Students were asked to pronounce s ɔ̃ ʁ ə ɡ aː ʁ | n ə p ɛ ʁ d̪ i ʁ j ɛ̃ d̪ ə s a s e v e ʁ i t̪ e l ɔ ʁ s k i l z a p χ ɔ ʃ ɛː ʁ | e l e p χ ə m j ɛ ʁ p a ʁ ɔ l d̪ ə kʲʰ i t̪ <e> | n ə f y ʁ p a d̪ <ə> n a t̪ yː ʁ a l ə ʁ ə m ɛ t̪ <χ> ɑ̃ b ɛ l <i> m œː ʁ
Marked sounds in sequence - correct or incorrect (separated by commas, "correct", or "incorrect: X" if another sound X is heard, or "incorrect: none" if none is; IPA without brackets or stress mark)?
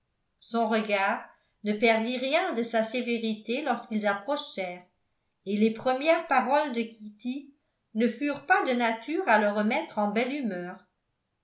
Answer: incorrect: i, correct, correct, incorrect: y